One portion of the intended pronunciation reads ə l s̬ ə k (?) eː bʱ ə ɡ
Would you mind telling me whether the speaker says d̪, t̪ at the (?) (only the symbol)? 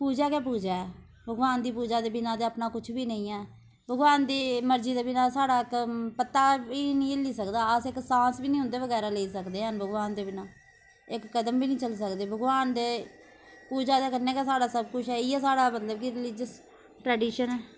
d̪